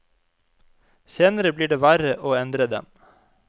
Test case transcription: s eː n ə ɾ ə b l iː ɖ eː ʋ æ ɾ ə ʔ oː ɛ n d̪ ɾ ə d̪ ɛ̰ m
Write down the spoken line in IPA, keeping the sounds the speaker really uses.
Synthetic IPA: s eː n ə ɾ ə b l iː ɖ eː ʋ æ ɾ ə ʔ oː ɛ n d̪ ɾ ə d̪ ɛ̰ m